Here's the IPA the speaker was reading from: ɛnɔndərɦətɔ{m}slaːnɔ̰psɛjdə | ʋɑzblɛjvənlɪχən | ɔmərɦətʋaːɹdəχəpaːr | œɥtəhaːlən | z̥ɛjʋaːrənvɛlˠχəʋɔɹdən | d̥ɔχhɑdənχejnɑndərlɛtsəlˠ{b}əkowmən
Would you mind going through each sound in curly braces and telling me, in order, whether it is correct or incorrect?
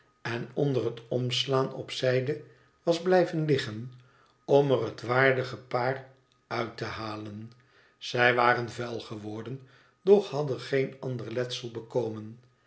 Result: correct, correct

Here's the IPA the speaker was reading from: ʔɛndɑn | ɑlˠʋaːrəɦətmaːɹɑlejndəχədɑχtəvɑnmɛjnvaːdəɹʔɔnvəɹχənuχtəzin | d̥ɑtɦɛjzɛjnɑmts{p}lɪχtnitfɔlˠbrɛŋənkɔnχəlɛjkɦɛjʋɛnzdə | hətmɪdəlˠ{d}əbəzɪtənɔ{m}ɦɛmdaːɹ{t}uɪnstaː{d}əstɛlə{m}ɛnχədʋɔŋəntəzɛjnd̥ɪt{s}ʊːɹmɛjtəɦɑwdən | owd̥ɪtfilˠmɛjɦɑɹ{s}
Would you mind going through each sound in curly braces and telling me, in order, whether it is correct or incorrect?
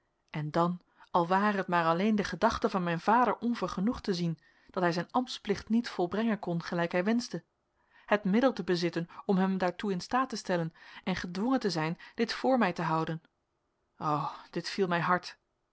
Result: correct, incorrect: t, correct, correct, incorrect: t, incorrect: n, incorrect: f, incorrect: t

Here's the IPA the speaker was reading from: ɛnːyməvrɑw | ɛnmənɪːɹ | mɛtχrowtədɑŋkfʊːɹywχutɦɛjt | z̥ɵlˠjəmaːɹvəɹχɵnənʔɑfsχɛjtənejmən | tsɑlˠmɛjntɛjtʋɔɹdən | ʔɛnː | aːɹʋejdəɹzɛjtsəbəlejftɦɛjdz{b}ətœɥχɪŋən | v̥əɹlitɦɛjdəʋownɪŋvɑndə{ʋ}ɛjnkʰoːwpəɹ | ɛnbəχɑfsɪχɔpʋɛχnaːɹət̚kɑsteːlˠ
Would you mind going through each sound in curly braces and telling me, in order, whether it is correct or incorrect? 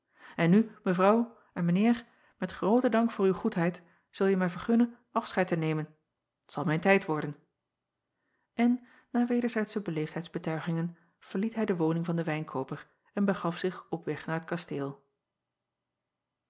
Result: correct, correct

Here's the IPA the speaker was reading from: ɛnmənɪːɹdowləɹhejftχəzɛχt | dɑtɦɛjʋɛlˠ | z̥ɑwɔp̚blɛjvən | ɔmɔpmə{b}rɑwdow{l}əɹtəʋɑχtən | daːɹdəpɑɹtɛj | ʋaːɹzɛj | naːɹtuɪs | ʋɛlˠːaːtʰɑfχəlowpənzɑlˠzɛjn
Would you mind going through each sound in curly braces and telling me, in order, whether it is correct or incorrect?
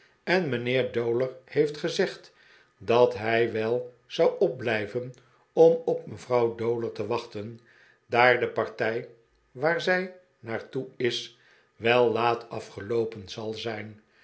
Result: incorrect: v, correct

